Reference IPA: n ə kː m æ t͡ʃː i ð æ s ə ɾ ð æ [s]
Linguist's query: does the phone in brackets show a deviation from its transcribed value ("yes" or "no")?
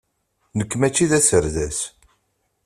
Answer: no